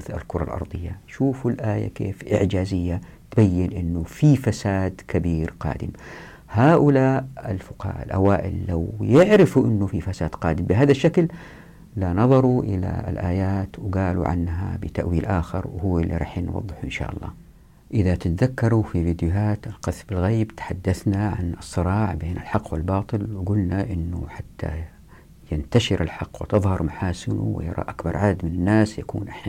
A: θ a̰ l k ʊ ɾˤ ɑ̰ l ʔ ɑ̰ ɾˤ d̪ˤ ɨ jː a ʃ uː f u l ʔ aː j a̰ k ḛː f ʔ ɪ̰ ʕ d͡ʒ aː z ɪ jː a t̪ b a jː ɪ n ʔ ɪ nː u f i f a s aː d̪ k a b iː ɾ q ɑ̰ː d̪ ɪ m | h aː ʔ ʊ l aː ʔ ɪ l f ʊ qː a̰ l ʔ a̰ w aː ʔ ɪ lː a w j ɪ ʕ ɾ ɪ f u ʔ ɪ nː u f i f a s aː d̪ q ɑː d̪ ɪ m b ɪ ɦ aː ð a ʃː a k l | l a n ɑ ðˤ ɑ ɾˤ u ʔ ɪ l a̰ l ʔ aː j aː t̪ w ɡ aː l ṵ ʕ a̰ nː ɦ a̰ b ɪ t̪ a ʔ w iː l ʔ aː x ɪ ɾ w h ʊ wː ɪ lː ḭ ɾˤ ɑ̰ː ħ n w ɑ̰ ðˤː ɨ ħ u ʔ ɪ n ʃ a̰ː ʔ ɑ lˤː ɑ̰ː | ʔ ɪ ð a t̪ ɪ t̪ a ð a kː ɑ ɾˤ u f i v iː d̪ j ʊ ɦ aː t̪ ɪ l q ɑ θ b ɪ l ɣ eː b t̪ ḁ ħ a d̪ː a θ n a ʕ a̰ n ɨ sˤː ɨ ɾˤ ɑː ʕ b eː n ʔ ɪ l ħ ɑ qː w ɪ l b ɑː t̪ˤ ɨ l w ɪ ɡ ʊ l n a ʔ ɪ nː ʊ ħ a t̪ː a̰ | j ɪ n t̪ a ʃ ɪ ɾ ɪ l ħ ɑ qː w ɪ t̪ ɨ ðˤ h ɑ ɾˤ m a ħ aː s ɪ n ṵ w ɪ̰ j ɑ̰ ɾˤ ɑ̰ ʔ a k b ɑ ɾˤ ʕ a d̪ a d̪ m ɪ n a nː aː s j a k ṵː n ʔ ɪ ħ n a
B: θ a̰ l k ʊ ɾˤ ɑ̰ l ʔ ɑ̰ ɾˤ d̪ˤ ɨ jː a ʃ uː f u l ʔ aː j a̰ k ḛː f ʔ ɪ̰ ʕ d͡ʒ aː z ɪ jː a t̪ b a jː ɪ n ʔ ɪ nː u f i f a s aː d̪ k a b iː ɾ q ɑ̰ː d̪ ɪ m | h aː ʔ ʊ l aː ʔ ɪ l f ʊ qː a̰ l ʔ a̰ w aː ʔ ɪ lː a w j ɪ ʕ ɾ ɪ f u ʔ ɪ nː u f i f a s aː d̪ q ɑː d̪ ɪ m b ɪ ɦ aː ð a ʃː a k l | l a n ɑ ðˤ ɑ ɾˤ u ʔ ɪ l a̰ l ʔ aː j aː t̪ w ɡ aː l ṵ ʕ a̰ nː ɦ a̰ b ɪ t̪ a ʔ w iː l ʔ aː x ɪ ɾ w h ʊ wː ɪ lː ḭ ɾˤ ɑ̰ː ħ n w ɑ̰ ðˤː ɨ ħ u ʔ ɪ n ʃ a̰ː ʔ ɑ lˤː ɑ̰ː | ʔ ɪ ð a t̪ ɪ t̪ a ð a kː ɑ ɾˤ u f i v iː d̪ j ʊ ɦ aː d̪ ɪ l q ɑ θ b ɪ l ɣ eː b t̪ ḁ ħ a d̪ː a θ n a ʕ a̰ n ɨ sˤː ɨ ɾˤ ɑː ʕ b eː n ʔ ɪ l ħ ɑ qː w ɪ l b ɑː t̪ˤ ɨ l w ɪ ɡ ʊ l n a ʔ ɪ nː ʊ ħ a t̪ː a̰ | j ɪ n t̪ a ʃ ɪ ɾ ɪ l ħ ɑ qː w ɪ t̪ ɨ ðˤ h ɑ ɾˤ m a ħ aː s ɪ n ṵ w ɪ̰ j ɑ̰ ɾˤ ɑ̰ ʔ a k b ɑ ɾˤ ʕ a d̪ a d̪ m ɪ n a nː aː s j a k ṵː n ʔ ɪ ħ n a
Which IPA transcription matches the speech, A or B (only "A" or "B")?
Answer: A